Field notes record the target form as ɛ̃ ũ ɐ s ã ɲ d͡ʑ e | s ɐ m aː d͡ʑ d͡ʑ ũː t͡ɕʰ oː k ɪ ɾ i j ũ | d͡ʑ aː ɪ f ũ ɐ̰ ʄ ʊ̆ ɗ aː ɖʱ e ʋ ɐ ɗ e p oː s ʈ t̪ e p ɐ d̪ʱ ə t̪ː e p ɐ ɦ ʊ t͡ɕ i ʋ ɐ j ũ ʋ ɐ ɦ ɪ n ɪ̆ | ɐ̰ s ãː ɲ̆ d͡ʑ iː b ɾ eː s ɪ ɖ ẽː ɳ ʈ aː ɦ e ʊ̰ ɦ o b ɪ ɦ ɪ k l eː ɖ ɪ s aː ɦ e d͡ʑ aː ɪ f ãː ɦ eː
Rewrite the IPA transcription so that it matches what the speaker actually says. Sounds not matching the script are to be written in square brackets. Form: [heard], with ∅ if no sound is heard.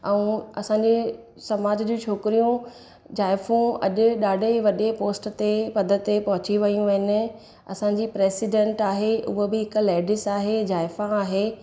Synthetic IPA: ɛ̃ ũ ɐ s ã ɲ d͡ʑ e | s ɐ m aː d͡ʑ d͡ʑ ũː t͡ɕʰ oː k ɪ ɾ i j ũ | d͡ʑ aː ɪ f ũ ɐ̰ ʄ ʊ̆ ɗ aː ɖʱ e ʋ ɐ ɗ e p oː s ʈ t̪ e p ɐ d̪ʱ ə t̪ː e p ɐ ɦ ʊ t͡ɕ i ʋ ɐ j ũ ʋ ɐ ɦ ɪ n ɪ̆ | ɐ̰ s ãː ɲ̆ d͡ʑ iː [p] ɾ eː s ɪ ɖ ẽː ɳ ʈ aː ɦ e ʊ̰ ɦ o b ɪ ɦ ɪ k l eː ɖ ɪ s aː ɦ e d͡ʑ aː ɪ f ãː ɦ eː